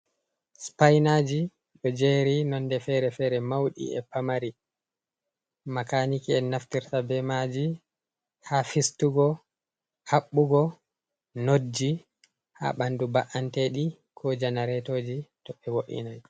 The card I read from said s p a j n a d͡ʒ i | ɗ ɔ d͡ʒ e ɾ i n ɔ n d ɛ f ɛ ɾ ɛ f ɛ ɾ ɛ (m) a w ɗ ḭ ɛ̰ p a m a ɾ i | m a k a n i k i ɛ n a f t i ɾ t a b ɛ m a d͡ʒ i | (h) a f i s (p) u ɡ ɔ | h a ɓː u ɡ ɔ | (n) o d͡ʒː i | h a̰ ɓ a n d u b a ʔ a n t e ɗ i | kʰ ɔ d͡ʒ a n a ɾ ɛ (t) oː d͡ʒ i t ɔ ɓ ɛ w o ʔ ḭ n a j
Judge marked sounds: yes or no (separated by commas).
yes, yes, no, yes, yes